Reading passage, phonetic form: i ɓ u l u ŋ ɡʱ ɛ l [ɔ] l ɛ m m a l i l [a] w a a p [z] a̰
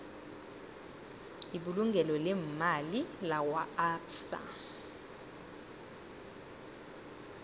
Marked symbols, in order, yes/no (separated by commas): yes, yes, no